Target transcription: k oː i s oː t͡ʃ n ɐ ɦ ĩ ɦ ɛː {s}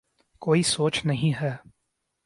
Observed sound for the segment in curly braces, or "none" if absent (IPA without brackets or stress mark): none